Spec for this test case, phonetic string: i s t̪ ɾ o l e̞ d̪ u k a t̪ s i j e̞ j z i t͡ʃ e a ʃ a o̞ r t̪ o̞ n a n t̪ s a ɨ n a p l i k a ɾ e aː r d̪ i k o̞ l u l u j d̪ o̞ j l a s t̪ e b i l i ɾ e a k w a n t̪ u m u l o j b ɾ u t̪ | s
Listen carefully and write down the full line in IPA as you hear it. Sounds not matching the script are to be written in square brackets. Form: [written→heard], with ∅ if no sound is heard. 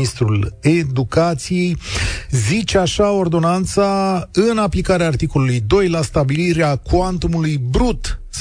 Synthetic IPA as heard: i s t̪ ɾ [o→u] l e̞ d̪ u k a t̪ s i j e̞ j z i t͡ʃ e a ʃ a o̞ r [t̪→d̪] o̞ n a n t̪ s a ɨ n a p l i k a ɾ e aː r [d̪→t̪] i k o̞ l u l u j d̪ o̞ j l a s t̪ [e→a] b i l i ɾ e a k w a n t̪ u m u l [o→u] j b ɾ u t̪ | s